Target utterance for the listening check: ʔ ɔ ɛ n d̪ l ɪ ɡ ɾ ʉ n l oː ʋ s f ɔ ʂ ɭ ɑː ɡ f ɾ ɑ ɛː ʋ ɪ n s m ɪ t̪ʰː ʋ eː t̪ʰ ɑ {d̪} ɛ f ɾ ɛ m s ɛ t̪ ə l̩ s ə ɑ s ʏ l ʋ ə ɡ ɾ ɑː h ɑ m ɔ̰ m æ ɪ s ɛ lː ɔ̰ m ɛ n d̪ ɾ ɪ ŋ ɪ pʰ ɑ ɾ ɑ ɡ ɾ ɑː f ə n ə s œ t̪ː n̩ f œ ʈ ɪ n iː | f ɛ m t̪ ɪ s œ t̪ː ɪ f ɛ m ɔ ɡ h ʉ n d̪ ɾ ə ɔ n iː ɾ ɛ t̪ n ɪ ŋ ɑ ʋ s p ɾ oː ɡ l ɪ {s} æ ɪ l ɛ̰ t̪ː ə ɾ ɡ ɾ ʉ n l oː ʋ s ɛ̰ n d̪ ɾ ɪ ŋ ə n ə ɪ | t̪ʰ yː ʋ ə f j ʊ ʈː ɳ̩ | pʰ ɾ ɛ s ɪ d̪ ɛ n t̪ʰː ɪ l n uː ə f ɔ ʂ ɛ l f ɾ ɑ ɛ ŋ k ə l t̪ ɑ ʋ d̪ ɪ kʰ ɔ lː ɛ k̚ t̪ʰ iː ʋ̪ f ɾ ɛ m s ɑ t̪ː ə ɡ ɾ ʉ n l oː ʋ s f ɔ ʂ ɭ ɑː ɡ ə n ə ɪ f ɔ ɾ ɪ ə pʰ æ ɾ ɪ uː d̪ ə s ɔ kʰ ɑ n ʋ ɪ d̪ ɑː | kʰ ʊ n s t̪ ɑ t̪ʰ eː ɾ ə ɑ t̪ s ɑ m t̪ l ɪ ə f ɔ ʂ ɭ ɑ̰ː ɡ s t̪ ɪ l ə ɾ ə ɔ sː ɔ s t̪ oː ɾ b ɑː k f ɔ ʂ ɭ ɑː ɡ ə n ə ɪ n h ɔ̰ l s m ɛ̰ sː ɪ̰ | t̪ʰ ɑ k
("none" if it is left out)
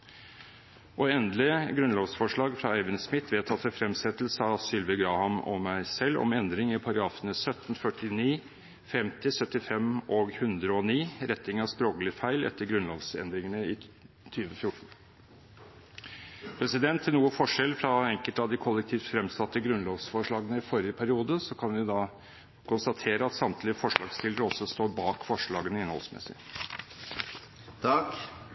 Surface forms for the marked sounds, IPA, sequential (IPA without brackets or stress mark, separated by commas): t̪, f